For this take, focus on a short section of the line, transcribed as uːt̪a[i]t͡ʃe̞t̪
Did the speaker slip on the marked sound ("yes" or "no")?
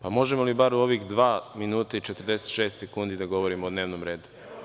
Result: no